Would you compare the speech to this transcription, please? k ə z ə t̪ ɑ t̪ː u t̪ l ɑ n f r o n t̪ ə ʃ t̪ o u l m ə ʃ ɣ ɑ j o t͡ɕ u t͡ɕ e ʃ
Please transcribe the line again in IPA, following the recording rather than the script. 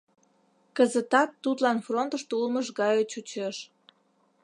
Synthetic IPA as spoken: k ə z ə t̪ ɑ t̪ː u t̪ l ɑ n f r o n t̪ ə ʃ t̪ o u l m ə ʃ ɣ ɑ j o t͡ɕ u t͡ɕ e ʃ

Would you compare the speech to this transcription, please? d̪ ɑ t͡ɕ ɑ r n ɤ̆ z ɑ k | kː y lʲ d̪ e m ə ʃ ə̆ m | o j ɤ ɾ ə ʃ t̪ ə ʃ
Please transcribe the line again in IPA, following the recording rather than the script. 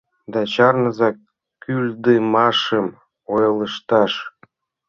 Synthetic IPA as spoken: d̪ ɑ t͡ɕ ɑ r n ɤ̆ z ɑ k | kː y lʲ d̪ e m ɑ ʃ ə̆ m | o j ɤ l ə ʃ t̪ ɑ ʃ

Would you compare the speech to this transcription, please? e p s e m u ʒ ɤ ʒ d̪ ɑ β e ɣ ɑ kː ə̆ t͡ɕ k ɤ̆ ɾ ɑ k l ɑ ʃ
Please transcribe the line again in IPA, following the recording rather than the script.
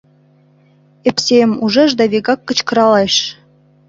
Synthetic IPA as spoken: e p s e m u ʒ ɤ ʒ d̪ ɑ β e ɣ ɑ kː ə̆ t͡ɕ k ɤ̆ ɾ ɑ l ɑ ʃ

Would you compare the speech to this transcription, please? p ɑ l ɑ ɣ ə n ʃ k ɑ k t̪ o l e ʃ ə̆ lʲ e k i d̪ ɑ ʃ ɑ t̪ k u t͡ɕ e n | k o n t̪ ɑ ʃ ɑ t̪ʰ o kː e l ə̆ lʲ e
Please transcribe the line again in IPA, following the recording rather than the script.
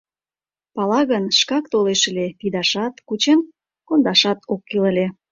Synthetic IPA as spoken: p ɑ l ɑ ɣ ə n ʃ k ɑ k t̪ o l e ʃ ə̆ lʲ e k i d̪ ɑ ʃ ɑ t̪ k u t͡ɕ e n | k o n d̪ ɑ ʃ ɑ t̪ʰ o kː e l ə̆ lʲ e

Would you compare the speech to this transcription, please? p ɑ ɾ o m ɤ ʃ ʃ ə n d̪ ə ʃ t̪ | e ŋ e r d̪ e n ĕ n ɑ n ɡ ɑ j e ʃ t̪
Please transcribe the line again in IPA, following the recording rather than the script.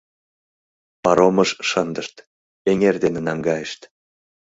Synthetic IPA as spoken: p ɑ ɾ o m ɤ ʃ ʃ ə n d̪ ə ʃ t̪ | e ŋ e r d̪ e n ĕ n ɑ ŋ ɡ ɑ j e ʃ t̪

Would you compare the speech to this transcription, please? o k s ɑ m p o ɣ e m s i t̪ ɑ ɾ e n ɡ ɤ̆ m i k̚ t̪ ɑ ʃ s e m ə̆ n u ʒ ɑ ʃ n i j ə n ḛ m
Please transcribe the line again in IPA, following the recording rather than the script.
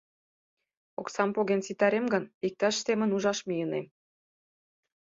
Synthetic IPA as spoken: o k s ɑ m p o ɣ e n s i t̪ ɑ ɾ e m ɡ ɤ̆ n i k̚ t̪ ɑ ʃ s e m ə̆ n u ʒ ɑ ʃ m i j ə n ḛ m

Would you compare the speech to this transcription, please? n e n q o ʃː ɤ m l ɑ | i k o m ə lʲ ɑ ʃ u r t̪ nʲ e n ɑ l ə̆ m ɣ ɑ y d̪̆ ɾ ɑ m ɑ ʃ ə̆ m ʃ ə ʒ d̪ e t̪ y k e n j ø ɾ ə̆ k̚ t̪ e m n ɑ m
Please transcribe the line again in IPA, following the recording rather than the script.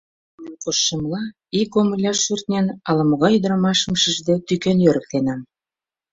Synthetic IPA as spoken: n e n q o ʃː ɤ m l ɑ | i k o m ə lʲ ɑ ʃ u r t̪ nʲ e n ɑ l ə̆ m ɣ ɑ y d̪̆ ɾ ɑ m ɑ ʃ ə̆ m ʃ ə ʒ d̪ e t̪ y k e n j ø ɾ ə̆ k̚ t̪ e n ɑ m

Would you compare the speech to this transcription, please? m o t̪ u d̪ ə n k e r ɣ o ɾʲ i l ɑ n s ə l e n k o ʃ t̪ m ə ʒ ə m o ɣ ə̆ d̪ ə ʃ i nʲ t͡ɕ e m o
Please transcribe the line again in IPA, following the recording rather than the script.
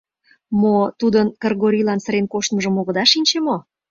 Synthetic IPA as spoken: m o t̪ u d̪ ə n k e r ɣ o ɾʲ i l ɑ n s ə ɾ e n k o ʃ t̪ m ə ʒ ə m o ɣ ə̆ d̪ ɑ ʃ i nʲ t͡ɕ e m o

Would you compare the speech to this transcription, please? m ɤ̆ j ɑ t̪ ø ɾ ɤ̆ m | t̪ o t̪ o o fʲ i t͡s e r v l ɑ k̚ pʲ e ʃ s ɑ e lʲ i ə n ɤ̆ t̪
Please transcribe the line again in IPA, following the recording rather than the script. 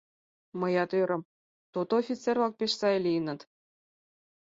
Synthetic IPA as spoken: m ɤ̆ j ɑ t̪ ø ɾ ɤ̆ m | t̪ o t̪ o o fʲ i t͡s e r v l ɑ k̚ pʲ e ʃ s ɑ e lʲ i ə n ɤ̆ t̪

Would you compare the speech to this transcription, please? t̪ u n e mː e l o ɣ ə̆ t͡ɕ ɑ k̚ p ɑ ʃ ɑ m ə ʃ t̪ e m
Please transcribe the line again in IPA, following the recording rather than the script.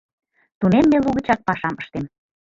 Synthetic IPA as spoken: t̪ u n e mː e l u ɣ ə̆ t͡ɕ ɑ k̚ p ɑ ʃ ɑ m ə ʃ t̪ e m

